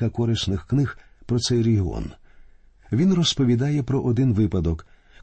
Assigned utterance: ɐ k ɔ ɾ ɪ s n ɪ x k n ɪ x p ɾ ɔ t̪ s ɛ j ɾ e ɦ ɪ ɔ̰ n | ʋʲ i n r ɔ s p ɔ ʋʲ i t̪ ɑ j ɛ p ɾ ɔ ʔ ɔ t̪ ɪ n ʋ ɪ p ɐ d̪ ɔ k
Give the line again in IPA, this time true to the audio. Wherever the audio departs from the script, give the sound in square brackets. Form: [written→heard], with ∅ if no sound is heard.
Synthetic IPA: ɐ k ɔ ɾ ɪ s n ɪ x k n ɪ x p ɾ ɔ t̪ s ɛ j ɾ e ɦ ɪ ɔ̰ n | ʋʲ i n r ɔ s p ɔ ʋʲ i [t̪→d̪] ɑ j ɛ p ɾ ɔ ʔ ɔ [t̪→d̪] ɪ n ʋ ɪ p ɐ d̪ ɔ k